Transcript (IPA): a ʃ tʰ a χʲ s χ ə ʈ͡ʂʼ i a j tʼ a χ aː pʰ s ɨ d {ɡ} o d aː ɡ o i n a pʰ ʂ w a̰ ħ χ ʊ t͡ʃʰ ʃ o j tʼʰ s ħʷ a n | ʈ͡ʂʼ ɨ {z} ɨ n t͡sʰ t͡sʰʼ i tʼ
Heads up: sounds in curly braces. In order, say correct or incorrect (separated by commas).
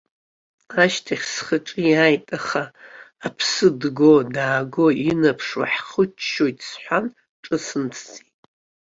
correct, incorrect